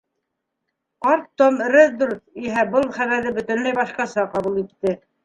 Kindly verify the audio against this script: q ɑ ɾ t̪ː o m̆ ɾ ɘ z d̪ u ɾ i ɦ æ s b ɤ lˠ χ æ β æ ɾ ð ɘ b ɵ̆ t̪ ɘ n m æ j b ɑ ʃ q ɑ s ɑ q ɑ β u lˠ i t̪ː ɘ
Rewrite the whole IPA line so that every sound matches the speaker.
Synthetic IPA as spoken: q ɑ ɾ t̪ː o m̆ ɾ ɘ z d̪ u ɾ i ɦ æ b ɤ lˠ χ æ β æ ɾ ð ɘ b ɵ̆ t̪ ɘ n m æ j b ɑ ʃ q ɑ s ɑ q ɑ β u lˠ i t̪ː ɘ